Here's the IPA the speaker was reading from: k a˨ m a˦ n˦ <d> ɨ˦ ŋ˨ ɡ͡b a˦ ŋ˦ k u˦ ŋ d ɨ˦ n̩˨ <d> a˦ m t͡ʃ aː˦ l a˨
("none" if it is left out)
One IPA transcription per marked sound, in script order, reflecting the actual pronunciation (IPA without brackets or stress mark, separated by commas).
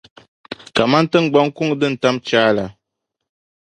t, t